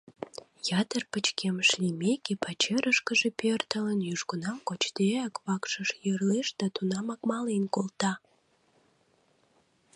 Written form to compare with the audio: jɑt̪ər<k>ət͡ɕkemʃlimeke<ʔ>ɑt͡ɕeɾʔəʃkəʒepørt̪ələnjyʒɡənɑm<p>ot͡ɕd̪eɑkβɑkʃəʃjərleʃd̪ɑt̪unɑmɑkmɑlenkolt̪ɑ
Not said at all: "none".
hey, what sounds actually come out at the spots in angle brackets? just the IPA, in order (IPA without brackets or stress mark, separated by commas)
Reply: p, p, k